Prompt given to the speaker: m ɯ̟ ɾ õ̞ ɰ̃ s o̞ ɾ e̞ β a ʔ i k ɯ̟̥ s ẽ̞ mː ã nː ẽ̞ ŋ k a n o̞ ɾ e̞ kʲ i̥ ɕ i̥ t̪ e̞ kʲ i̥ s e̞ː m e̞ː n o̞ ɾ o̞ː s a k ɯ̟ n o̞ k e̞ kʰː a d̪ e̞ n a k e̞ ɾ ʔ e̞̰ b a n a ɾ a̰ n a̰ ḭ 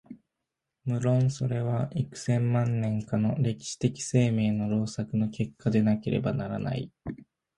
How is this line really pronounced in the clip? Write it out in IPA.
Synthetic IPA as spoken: m ɯ̟ ɾ õ̞ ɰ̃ s o̞ ɾ e̞ β a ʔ i k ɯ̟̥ s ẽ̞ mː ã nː ẽ̞ ŋ k a n o̞ ɾ e̞ kʲ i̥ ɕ i̥ t̪ e̞ kʲ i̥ s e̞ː m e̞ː n o̞ ɾ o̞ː s a k ɯ̟ n o̞ k e̞ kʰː a d̪ e̞ n a k e̞ ɾ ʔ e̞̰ b a n a ɾ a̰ n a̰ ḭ

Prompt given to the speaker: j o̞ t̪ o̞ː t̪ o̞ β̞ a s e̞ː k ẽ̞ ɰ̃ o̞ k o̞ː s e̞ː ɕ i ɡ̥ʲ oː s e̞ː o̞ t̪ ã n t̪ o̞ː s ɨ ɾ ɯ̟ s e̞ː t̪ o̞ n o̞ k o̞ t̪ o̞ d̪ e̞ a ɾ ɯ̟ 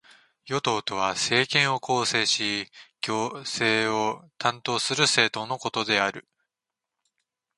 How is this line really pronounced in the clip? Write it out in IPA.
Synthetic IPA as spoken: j o̞ t̪ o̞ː t̪ o̞ β̞ a s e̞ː k ẽ̞ ɰ̃ o̞ k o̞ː s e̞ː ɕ i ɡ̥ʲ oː s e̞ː o̞ t̪ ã n t̪ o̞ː s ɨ ɾ ɯ̟ s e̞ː t̪ o̞ n o̞ k o̞ t̪ o̞ d̪ e̞ a ɾ ɯ̟

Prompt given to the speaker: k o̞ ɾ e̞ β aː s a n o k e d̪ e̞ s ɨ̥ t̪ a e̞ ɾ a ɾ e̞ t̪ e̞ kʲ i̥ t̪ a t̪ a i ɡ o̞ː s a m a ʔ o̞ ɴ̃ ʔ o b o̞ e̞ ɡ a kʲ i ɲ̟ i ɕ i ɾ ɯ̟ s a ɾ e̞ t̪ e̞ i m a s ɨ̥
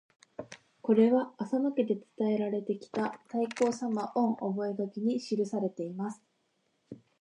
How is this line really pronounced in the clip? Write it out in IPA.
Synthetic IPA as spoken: k o̞ ɾ e̞ β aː s a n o k e d̪ e̞ t͡s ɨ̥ t̪ a e̞ ɾ a ɾ e̞ t̪ e̞ kʲ i̥ t̪ a t̪ a i k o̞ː s a m a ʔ õ̞ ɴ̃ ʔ o b o̞ e̞ ɡ a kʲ i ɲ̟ i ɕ i ɾ ɯ̟ s a ɾ e̞ t̪ e̞ i m a s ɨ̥

